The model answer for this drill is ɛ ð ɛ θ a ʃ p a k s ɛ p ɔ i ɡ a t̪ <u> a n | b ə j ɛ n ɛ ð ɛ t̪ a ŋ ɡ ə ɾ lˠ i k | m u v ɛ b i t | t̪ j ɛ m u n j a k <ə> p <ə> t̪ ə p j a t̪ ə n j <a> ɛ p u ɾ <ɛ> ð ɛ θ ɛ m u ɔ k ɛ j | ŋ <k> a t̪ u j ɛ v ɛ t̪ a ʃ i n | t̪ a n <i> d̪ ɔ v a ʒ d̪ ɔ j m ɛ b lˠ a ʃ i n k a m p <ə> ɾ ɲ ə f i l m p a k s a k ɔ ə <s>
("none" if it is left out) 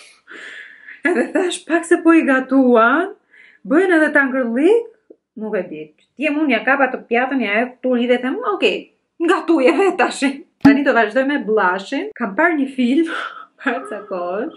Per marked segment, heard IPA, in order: u, a, a, a, i, ɡ, i, a, ʃ

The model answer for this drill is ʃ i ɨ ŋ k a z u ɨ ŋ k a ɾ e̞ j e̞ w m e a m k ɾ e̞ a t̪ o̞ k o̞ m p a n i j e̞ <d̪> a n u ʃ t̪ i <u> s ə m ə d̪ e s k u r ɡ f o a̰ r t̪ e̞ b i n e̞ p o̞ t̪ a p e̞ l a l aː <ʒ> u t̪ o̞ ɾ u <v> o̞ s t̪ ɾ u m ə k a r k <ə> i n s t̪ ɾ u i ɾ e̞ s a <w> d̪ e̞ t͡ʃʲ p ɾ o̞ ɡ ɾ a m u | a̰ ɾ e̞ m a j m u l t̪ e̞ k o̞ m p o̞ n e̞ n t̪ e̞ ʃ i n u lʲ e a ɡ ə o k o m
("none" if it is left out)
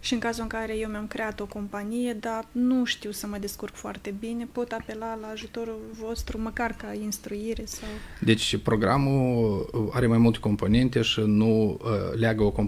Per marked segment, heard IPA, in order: d̪, w, ʒ, v, a, w

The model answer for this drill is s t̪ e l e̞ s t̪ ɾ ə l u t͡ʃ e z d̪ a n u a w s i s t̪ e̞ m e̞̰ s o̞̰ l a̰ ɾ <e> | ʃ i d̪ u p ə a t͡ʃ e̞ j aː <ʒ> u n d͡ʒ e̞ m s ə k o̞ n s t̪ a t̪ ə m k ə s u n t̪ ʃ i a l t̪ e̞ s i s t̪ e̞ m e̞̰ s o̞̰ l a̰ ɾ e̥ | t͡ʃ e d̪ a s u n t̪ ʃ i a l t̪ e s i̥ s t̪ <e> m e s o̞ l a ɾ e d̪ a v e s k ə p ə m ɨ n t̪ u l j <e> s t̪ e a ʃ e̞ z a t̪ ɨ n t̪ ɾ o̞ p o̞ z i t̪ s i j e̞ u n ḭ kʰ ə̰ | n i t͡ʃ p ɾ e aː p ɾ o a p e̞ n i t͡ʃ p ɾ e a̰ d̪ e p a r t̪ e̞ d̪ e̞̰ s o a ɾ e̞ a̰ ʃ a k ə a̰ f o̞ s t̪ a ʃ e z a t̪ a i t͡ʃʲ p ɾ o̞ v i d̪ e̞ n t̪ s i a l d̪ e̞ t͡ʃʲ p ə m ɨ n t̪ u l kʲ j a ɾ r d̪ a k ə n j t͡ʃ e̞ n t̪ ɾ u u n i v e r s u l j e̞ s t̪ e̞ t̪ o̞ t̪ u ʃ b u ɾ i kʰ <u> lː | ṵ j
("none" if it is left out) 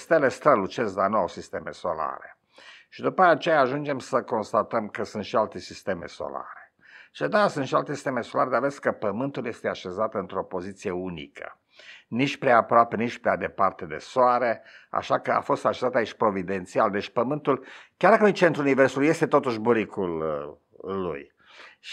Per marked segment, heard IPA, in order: e, ʒ, e, e, u

